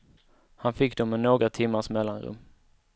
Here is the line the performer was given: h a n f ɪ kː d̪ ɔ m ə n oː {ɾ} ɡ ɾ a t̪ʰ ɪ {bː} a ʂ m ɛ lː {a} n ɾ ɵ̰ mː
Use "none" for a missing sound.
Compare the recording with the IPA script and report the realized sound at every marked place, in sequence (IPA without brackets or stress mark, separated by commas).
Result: none, mː, a